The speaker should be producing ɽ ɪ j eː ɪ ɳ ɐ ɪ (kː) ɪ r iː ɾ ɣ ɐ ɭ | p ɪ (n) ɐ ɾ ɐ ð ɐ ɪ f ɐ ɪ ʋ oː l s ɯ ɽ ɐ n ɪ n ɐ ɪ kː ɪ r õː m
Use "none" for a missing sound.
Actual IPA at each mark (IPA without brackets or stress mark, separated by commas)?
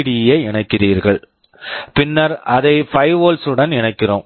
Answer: kː, nː